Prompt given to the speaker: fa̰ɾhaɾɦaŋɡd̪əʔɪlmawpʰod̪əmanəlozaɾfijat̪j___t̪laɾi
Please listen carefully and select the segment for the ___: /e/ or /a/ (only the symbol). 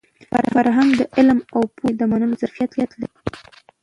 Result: a